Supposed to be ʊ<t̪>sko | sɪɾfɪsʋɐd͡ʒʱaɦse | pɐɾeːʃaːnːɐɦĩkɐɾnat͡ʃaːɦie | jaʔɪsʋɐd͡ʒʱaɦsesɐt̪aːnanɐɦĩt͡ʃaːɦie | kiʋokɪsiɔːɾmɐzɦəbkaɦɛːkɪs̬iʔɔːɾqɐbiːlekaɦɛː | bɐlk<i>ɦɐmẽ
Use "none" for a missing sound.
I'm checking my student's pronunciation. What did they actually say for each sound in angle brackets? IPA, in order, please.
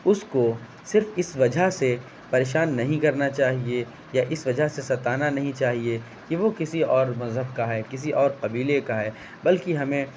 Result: none, i

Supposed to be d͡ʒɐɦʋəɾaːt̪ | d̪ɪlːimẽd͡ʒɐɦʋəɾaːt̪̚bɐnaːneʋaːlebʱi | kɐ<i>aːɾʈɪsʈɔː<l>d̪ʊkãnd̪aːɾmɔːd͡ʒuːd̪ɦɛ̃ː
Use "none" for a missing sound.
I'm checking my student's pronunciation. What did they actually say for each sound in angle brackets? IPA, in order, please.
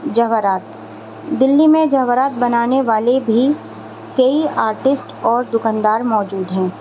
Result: i, ɾ

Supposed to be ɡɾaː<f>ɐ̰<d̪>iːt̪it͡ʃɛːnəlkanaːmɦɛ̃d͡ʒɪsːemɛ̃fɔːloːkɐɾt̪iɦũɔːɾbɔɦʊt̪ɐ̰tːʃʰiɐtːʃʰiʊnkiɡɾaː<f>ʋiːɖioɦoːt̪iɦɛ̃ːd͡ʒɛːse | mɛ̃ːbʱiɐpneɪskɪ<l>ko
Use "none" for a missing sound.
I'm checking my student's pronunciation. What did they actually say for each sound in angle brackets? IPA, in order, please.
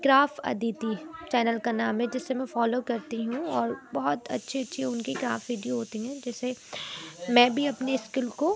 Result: f, d̪, f, l

